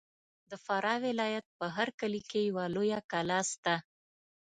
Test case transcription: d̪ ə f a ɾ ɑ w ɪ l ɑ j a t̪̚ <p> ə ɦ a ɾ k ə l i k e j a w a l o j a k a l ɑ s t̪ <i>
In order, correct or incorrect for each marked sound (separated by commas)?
correct, incorrect